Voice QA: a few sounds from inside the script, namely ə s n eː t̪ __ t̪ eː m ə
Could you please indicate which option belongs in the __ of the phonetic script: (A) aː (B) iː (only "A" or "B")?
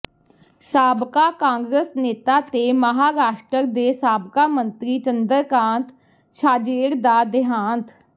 A